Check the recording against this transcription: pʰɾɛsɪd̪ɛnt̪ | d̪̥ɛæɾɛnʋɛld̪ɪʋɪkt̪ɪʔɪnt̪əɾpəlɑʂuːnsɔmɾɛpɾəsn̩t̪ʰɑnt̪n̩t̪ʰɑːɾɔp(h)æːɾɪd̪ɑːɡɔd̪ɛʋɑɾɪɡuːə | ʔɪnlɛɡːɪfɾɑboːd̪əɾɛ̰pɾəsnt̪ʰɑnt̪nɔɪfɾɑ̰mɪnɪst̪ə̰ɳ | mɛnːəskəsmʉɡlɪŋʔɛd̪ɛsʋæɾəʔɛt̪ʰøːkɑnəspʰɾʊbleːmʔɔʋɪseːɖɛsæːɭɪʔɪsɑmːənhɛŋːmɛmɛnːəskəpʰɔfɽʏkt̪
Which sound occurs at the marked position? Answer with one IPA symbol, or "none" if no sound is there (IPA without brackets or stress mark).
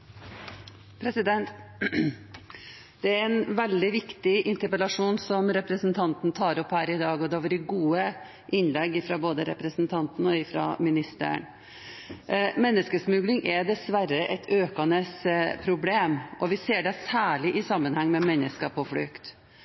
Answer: h